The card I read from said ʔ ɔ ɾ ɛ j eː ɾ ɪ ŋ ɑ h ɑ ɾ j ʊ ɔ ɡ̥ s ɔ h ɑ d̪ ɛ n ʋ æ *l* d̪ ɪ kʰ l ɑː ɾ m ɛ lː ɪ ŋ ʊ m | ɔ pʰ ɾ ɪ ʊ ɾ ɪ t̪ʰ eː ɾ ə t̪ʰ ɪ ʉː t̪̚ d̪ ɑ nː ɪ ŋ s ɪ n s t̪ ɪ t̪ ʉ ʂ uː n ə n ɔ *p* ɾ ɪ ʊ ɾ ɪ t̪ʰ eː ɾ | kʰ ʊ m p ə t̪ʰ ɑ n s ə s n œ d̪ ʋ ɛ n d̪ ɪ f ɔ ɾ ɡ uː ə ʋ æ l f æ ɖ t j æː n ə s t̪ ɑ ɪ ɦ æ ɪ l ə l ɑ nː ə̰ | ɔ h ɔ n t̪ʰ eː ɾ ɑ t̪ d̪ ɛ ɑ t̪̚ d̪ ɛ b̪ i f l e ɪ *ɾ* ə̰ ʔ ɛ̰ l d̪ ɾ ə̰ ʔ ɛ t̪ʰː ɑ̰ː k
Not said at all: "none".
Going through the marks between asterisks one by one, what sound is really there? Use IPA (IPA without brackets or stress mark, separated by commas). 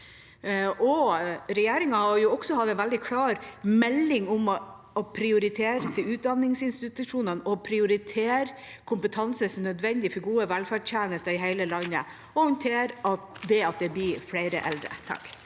l, pʰ, ɾ